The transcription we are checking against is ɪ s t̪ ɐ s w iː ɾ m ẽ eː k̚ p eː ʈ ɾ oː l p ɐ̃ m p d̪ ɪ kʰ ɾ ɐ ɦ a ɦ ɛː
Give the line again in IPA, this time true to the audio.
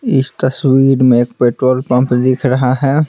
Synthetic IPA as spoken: ɪ s t̪ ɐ s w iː ɾ m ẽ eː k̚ p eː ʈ ɾ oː l p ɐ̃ m p d̪ ɪ kʰ ɾ ɐ ɦ a ɦ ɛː

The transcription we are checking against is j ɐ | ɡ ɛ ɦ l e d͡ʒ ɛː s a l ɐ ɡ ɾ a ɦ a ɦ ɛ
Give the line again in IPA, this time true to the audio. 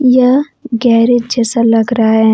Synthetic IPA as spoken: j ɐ | ɡ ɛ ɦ ɾ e d͡ʒ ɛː s a l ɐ ɡ ɾ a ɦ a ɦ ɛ

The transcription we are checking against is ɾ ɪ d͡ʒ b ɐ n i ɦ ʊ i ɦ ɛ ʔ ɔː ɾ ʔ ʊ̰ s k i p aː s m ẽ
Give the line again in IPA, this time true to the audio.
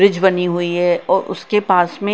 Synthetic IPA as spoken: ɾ ɪ d͡ʒ b ɐ n i ɦ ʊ i ɦ ɛ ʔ ɔː ɾ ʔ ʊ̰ s k e p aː s m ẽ

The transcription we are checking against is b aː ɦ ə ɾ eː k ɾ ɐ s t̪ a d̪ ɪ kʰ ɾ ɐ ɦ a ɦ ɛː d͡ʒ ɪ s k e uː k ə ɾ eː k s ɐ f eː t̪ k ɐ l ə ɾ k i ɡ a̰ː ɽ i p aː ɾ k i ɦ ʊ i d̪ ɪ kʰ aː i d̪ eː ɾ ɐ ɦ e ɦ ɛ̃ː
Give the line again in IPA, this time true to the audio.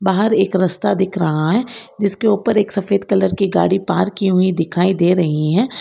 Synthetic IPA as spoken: b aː ɦ ə ɾ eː k ɾ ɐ s t̪ a d̪ ɪ kʰ ɾ ɐ ɦ a ɦ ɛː d͡ʒ ɪ s k e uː p ə ɾ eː k s ɐ f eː d̪ k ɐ l ə ɾ k i ɡ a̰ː ɽ i p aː ɾ k i ɦ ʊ i d̪ ɪ kʰ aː i d̪ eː ɾ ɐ ɦ i ɦ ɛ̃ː

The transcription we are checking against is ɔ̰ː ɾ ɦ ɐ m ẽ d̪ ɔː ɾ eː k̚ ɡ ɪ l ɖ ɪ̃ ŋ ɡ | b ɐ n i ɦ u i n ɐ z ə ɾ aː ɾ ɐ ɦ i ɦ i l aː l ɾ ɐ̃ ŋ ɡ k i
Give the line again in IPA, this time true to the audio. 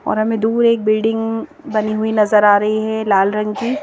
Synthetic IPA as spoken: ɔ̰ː ɾ ɦ ɐ m ẽ d̪ uː ɾ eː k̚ b ɪ l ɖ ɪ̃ ŋ ɡ | b ɐ n i ɦ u i n ɐ z ə ɾ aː ɾ ɐ ɦ i ɦ ɛ l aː l ɾ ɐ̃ ŋ ɡ k i

